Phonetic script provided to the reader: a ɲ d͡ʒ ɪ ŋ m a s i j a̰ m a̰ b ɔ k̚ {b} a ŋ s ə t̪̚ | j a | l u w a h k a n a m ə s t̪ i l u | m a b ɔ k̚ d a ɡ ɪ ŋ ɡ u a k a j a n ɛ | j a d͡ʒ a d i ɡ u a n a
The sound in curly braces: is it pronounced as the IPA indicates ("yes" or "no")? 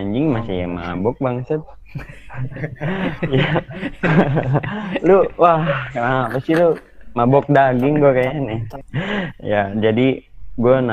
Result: yes